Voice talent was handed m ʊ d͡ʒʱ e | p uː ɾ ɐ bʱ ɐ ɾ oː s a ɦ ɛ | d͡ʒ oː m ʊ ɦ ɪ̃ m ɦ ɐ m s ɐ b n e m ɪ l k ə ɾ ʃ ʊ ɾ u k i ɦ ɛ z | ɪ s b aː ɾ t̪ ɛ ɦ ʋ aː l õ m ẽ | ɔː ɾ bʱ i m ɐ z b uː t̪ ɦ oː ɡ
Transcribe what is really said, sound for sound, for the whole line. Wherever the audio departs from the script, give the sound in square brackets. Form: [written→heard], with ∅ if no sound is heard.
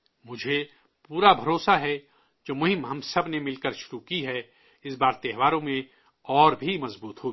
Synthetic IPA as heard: m ʊ d͡ʒʱ e | p uː ɾ [ɐ→a] bʱ ɐ ɾ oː s a ɦ ɛ | d͡ʒ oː m ʊ ɦ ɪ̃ m ɦ ɐ m s ɐ b n e m ɪ l k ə ɾ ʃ ʊ ɾ u k i ɦ ɛ [z→∅] | ɪ s b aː ɾ t̪ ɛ ɦ ʋ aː [l→ɾ] õ m ẽ | ɔː ɾ bʱ i m ɐ z b uː t̪ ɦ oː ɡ